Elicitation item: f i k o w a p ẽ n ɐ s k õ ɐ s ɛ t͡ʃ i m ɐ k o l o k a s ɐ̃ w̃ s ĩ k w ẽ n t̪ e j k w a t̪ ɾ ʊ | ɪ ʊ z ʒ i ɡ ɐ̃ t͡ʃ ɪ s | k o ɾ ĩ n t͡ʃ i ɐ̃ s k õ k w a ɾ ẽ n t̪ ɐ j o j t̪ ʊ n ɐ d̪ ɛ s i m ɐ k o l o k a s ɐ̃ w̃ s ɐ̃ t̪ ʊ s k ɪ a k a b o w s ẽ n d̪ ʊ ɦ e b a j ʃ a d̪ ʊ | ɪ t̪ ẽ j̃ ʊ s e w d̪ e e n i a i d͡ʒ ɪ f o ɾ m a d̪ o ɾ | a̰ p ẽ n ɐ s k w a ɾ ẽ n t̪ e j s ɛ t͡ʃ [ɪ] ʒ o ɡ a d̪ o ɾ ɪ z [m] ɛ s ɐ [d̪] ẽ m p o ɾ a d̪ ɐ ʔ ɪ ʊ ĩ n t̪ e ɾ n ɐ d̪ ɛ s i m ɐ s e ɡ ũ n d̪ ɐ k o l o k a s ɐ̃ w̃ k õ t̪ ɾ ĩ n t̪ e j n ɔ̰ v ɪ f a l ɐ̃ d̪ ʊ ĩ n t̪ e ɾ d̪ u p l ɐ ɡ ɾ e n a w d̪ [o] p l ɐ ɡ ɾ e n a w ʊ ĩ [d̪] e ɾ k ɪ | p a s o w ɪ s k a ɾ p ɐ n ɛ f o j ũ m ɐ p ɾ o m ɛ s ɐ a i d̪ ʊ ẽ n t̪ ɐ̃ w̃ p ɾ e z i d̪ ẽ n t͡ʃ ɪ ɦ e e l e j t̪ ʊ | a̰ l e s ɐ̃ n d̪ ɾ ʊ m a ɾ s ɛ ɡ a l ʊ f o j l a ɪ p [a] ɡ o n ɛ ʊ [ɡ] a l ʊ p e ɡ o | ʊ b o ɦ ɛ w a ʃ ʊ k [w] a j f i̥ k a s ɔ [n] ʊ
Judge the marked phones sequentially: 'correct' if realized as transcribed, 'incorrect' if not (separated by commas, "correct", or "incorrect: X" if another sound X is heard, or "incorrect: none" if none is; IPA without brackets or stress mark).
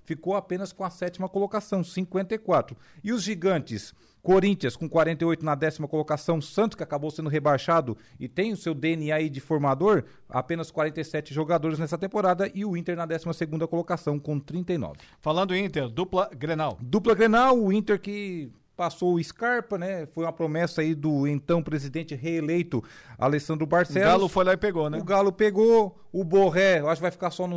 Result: correct, incorrect: n, incorrect: t̪, incorrect: u, incorrect: t̪, incorrect: e, correct, incorrect: v, correct